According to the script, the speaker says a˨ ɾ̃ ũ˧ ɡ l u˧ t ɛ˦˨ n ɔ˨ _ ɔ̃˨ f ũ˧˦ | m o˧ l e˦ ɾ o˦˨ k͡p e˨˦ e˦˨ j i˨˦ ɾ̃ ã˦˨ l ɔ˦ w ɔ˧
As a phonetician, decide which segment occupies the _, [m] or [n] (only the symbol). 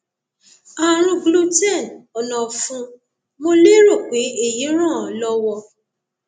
n